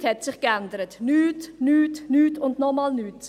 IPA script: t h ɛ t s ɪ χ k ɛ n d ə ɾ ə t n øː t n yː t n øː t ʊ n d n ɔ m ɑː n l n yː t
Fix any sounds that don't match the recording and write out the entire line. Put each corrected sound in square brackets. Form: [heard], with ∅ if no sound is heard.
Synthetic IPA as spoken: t h ɛ t s ɪ χ k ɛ n d ə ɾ ə t n [yː] t n yː t n [yː] t ʊ n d n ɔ m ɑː [∅] l n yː t